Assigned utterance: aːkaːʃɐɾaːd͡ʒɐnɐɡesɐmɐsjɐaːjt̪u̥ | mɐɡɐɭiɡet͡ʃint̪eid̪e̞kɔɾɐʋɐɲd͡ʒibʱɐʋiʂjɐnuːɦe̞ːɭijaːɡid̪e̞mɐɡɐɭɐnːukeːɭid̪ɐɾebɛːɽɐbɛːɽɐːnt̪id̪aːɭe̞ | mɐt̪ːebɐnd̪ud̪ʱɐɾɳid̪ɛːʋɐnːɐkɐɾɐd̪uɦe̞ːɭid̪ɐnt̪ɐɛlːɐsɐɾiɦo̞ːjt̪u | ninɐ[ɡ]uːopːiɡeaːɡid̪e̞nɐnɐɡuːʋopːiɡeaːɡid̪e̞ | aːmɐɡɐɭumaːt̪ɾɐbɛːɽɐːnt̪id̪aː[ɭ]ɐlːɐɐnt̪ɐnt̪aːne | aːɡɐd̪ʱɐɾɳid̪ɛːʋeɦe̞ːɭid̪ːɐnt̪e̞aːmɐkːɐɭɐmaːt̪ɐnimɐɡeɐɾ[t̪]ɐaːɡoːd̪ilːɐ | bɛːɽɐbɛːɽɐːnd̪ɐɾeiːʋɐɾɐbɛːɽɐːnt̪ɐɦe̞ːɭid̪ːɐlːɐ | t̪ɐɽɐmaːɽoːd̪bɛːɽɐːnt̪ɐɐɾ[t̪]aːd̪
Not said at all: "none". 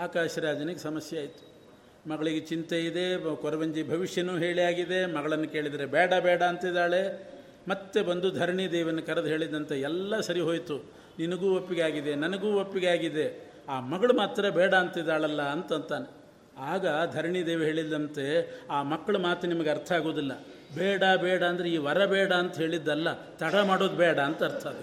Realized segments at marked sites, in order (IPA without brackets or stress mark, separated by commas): ɡ, ɭ, t̪ʰ, t̪ʰ